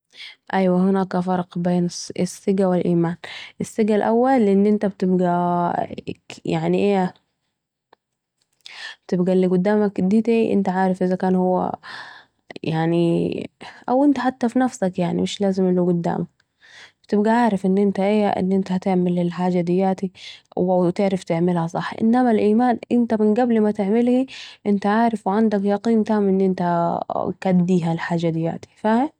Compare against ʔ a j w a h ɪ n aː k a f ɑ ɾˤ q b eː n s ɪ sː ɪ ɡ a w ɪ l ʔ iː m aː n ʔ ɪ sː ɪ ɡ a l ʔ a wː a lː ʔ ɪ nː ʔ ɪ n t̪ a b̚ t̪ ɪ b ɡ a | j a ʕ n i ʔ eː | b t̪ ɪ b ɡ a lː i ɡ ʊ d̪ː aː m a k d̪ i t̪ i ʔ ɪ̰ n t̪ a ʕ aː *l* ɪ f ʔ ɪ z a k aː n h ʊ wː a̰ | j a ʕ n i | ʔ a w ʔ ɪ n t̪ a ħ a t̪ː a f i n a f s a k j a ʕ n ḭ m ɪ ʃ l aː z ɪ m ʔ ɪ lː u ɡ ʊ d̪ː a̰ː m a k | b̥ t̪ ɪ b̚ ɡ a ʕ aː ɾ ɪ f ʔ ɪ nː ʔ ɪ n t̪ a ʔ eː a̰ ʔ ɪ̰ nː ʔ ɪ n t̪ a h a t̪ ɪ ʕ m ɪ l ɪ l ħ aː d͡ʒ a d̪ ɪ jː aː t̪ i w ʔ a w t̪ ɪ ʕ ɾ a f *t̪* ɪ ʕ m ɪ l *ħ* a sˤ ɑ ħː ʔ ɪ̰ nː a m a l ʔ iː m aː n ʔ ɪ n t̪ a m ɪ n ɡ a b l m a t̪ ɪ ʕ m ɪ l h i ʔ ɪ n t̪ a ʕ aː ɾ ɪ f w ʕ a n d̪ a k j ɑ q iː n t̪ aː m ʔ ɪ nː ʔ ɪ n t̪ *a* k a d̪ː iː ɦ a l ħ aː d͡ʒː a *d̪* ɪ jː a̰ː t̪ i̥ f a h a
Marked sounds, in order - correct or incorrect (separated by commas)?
incorrect, correct, incorrect, correct, correct